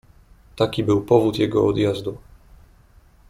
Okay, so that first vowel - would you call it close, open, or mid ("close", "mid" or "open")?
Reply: open